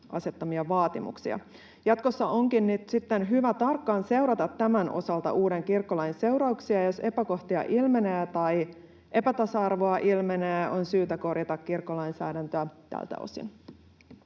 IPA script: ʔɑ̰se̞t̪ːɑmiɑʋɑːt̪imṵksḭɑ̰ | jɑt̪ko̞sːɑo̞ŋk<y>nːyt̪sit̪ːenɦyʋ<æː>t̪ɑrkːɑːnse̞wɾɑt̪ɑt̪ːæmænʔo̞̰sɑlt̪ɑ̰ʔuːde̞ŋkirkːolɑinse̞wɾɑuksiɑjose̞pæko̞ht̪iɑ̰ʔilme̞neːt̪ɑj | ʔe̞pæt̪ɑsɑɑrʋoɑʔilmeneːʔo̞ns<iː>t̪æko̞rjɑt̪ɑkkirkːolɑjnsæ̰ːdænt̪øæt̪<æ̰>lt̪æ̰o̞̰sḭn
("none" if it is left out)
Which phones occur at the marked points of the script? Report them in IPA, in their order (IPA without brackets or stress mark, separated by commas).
i, æ, yː, æ̰